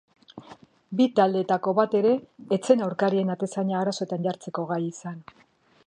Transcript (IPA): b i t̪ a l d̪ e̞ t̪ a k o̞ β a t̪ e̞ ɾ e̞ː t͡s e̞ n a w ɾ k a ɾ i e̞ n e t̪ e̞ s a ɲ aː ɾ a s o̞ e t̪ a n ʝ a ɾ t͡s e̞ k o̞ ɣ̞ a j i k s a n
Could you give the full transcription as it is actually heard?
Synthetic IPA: b i t̪ a l d̪ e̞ t̪ a k o̞ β a t̪ e̞ ɾ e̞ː t͡s e̞ n a w ɾ k a ɾ i e̞ n a t̪ e̞ s a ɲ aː ɾ a s o̞ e t̪ a n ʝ a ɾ t͡s e̞ k o̞ ɣ̞ a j i s a n

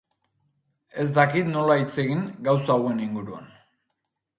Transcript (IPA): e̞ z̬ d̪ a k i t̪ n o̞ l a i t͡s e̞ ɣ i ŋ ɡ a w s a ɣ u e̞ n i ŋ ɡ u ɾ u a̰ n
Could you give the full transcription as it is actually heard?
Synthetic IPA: e̞ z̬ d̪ a k i t̪ n o̞ l a i t͡s e̞ ɣ i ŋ ɡ a w s a ɣ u e̞ n i ŋ ɡ u ɾ u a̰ n

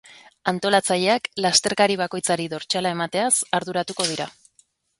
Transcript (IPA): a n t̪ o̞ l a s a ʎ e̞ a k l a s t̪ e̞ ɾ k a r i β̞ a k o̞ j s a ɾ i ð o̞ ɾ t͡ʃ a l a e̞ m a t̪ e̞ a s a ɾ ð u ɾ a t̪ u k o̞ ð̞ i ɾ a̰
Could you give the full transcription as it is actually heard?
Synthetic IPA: a n t̪ o̞ l a t͡s a ʎ e̞ a k l a s t̪ e̞ ɾ k a ɾ i β̞ a k o̞ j t͡s a ɾ i ð o̞ ɾ t͡ʃ a l a e̞ m a t̪ e̞ a s a ɾ ð u ɾ a t̪ u k o̞ ð̞ i ɾ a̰

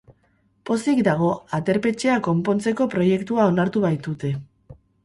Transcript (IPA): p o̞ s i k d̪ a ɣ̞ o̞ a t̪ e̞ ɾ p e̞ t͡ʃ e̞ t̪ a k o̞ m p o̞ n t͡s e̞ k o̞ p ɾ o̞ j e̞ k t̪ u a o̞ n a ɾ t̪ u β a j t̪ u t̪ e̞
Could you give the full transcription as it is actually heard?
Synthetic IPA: p o̞ s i k d̪ a ɣ̞ o̞ a t̪ e̞ ɾ p e̞ t͡ʃ e̞ a k o̞ m p o̞ n t͡s e̞ k o̞ p ɾ o̞ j e̞ k t̪ u a o̞ n a ɾ t̪ u β a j t̪ u t̪ e̞

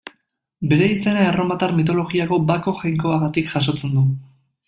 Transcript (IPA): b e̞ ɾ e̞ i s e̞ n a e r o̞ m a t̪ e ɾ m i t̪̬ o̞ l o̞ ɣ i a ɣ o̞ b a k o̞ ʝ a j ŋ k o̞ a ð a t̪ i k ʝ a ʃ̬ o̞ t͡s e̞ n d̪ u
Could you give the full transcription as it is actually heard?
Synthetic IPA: b e̞ ɾ e̞ i s e̞ n a e r o̞ m a t̪ a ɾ m i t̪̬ o̞ l o̞ ɣ i a ɣ o̞ b a k o̞ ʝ a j ŋ k o̞ a ɣ a t̪ i k ʝ a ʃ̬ o̞ t͡s e̞ n d̪ u

